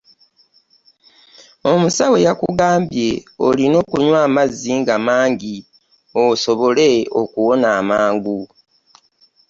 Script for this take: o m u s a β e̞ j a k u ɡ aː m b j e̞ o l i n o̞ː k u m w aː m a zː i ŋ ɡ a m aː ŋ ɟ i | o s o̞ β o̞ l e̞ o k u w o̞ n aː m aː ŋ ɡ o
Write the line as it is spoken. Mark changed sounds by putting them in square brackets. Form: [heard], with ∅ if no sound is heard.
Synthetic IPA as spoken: o m u s a [w] e̞ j a k u ɡ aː m b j e̞ o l i n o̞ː k u [ɲ] w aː m a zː i ŋ ɡ a m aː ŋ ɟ i | o s o̞ β o̞ l e̞ o k u w o̞ n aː m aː ŋ ɡ [u]